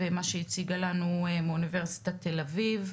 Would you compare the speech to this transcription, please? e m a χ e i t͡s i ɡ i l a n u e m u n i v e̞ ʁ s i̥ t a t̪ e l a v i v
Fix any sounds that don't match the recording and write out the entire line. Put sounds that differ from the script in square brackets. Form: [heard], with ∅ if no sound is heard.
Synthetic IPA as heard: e m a [ʃ] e i t͡s i ɡ [a] l a n u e m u n i v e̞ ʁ s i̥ t a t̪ e l a v i v